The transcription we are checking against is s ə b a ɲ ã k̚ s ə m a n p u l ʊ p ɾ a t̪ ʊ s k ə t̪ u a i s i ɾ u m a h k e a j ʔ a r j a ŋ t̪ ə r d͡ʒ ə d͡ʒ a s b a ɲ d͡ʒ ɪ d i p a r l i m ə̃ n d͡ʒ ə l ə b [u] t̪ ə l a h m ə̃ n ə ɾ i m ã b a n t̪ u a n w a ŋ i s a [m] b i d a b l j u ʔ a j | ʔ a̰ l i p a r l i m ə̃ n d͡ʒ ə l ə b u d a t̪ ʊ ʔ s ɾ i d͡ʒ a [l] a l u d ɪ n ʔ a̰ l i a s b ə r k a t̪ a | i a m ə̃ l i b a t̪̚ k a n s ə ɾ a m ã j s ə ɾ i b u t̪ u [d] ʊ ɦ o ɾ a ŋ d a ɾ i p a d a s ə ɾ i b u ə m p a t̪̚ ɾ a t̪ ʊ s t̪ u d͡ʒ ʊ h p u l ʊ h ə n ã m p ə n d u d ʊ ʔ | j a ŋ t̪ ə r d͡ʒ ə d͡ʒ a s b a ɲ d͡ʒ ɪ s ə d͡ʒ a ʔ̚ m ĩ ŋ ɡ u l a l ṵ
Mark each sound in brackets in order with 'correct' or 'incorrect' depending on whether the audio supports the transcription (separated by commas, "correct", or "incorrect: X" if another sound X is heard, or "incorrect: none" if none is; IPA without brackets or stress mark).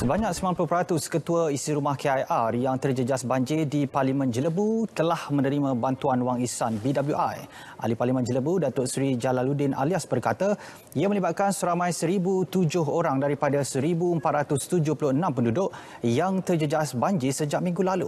correct, incorrect: n, correct, incorrect: d͡ʒ